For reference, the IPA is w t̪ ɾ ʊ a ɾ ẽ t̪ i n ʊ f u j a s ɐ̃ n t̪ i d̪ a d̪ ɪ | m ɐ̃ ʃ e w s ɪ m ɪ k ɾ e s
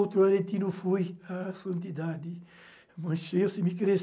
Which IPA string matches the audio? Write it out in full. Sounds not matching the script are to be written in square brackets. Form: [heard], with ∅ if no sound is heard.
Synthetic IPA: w t̪ ɾ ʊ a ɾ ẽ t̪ i n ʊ f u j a s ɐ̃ n t̪ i d̪ a d̪ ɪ | m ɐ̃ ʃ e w s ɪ m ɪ k ɾ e s